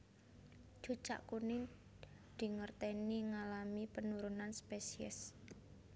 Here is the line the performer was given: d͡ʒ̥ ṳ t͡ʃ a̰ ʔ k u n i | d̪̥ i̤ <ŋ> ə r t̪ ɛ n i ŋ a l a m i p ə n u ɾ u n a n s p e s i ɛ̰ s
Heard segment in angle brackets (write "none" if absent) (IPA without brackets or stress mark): ŋ